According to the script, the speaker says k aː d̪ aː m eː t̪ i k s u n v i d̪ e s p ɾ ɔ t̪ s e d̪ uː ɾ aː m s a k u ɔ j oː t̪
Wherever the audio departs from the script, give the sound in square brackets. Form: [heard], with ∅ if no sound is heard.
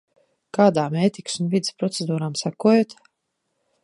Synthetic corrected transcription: k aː d̪ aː m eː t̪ i k s u n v i d̪ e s p ɾ ɔ t̪ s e d̪ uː ɾ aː m s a k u ɔ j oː t̪